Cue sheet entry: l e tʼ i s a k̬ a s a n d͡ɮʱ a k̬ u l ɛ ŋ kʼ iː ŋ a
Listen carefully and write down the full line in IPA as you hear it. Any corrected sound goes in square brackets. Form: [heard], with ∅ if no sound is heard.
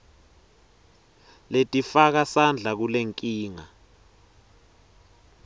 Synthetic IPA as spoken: l e tʼ i [f] a k̬ a s a n d͡ɮʱ a k̬ u l [e] ŋ kʼ iː ŋ a